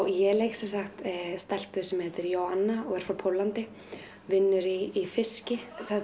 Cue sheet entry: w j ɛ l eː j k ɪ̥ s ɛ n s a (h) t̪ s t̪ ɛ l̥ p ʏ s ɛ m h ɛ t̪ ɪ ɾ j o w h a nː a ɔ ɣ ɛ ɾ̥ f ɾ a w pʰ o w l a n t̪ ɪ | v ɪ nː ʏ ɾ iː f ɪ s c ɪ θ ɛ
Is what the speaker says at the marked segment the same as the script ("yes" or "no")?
no